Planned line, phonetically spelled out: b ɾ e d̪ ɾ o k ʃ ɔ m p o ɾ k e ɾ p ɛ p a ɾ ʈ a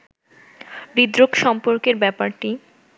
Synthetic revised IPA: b ɾ i d̪ ɾ o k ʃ ɔ m p o ɾ k e ɾ b ɛ p a ɾ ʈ i